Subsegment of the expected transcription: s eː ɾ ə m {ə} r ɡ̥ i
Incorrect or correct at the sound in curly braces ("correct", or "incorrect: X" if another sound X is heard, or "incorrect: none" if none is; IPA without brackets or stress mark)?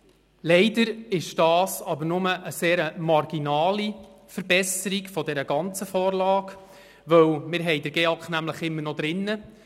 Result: incorrect: ɑ